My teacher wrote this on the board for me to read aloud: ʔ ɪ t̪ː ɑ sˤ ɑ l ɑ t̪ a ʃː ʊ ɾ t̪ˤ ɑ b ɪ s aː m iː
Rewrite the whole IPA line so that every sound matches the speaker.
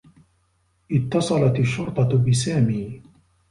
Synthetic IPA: ʔ ɪ t̪ː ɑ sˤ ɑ l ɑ t̪ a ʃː ʊ ɾ t̪ˤ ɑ b ɪ s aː m iː